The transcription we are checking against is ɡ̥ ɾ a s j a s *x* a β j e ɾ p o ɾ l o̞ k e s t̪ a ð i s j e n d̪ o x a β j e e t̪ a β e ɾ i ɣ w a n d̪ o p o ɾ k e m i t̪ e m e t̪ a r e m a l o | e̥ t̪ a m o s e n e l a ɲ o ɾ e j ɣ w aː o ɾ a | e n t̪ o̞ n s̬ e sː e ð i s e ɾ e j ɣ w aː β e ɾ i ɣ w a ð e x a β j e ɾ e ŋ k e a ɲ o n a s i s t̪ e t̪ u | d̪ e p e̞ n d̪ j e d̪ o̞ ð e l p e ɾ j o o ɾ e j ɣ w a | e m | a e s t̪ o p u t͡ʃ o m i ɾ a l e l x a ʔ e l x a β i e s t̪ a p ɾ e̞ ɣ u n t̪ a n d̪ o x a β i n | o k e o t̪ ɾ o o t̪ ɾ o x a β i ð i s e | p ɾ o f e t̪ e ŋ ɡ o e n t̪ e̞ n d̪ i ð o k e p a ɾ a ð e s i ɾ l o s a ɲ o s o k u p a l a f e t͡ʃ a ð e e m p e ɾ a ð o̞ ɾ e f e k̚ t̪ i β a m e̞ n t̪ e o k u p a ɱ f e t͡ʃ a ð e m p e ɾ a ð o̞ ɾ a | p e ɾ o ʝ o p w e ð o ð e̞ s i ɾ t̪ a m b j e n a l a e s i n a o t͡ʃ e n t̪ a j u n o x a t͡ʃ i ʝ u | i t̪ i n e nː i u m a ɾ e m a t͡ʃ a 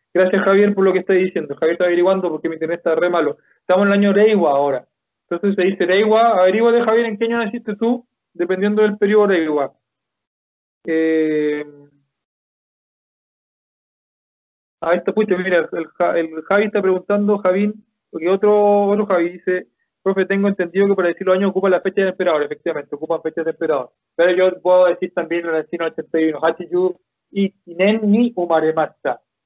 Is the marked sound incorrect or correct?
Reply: correct